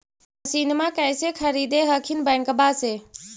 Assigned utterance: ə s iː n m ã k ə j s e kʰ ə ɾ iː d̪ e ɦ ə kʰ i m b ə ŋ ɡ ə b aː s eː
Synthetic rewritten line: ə s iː n m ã k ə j s e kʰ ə ɾ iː d̪ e ɦ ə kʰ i n b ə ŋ k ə b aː s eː